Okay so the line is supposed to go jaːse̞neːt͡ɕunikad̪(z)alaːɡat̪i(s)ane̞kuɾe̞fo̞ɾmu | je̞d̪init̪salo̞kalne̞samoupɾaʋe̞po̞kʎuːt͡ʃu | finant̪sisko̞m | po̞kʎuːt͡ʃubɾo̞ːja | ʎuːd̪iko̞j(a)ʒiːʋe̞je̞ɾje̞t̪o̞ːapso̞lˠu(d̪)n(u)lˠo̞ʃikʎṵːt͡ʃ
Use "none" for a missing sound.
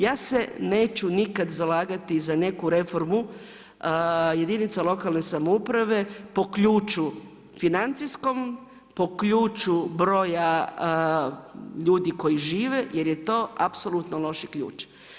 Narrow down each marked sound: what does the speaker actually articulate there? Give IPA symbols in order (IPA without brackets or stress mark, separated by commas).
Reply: z, z, i, t̪, o